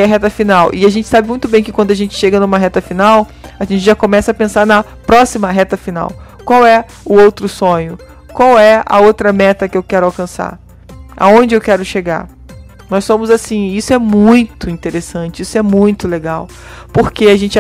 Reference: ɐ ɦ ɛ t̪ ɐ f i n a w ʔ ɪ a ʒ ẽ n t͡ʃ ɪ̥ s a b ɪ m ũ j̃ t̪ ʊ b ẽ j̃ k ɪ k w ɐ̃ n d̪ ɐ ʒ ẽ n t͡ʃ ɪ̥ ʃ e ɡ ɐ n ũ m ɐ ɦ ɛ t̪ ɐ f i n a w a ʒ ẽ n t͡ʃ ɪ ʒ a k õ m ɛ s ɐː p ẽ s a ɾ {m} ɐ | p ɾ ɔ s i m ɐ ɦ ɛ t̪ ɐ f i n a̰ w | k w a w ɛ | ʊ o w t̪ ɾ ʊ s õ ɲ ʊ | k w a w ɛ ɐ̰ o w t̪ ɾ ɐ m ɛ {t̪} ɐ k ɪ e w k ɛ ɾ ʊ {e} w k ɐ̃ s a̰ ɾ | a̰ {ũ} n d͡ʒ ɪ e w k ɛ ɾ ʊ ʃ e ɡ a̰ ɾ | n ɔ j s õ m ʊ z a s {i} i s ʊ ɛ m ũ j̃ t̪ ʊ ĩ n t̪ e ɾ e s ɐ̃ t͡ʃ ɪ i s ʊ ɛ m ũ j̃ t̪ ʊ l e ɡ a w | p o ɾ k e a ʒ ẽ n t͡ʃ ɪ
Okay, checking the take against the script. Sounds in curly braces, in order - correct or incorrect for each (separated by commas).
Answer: incorrect, correct, incorrect, incorrect, incorrect